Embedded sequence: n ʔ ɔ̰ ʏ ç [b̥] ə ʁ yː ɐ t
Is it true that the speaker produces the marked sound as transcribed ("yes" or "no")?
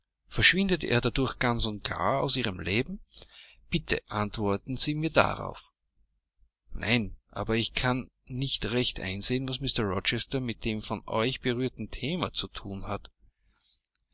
yes